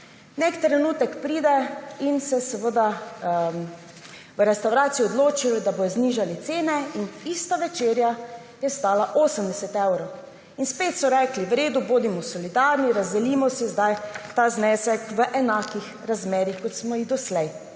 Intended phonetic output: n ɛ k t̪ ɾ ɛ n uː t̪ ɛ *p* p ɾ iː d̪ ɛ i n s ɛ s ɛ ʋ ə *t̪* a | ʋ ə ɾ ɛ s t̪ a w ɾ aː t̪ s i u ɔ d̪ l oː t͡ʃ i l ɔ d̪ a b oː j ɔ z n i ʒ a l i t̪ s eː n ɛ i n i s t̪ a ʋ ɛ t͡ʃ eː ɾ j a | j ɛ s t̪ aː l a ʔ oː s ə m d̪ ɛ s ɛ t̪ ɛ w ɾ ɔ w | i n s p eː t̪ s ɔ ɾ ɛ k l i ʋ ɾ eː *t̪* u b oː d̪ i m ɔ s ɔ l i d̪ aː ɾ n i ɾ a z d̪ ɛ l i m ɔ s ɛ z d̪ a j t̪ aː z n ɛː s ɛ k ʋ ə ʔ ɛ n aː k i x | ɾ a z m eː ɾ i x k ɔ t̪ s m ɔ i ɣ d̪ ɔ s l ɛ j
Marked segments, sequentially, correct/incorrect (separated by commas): incorrect, incorrect, incorrect